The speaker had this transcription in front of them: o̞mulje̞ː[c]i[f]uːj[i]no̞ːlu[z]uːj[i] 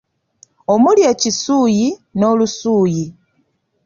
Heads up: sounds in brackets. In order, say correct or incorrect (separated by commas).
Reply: correct, incorrect, correct, incorrect, correct